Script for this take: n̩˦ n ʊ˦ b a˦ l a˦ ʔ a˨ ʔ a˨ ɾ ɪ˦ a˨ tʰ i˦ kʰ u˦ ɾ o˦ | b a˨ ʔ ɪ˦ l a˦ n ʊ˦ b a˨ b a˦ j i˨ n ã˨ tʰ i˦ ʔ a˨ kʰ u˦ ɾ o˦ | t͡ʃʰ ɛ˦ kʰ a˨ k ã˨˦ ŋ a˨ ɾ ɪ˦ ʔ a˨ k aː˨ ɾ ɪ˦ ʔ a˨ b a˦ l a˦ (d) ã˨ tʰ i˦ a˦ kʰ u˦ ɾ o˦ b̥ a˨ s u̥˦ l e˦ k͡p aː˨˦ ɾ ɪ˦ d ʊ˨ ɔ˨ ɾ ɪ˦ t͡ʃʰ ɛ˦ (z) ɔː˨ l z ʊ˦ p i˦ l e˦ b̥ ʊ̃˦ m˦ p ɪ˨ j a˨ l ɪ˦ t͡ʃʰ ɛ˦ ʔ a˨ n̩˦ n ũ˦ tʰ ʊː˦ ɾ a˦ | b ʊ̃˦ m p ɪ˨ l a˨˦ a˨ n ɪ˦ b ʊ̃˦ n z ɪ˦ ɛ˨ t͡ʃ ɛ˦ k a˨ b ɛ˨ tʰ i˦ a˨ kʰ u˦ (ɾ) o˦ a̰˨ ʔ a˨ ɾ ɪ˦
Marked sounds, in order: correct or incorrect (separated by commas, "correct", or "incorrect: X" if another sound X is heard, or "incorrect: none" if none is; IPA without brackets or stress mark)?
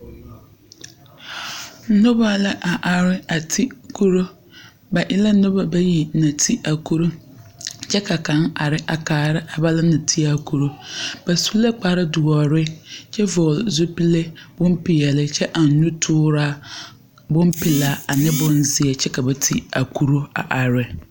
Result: incorrect: n, incorrect: v, correct